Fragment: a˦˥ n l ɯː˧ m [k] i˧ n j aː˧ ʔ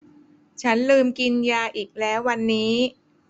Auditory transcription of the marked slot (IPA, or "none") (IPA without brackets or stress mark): k